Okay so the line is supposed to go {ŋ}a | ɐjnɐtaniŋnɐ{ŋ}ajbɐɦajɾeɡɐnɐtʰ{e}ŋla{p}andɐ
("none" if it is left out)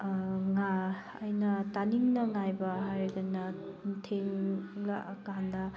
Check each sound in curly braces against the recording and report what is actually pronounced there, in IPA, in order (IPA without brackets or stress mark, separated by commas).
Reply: ŋ, ŋ, e, k